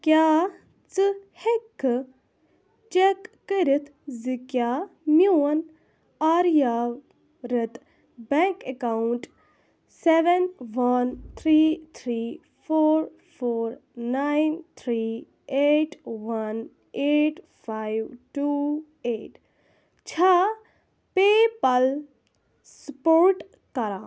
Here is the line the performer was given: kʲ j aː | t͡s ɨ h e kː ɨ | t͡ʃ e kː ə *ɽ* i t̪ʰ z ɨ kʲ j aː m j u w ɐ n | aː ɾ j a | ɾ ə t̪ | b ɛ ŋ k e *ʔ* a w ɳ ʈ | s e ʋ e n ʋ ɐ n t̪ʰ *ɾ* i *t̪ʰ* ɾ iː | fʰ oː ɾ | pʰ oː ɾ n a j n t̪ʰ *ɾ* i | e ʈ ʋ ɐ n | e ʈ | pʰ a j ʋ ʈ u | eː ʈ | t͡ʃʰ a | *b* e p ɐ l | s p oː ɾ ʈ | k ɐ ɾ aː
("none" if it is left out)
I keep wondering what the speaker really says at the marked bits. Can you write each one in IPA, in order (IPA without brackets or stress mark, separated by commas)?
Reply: ɾ, k, ɾ, t̪ʰ, ɾ, p